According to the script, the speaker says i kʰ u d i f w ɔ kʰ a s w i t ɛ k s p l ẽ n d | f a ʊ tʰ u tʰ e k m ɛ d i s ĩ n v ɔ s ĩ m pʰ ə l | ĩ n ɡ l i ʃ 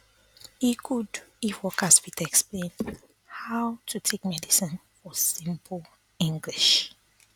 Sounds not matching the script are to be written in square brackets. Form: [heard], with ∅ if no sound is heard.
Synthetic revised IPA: i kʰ u d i f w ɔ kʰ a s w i t ɛ k s p l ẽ n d | [h] a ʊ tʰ u tʰ e k m ɛ d i s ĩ n [f] ɔ s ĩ m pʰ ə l | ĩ [ŋ] ɡ l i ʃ